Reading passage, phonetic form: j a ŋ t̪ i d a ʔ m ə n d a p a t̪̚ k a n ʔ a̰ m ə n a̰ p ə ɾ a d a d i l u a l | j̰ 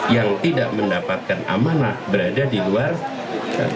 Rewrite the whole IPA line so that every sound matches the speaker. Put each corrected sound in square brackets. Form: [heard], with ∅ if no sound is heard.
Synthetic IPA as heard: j a ŋ t̪ i d a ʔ m ə n d a p a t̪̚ k a n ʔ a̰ m [a] n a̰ [b] ə ɾ a d a d i l u a [r] | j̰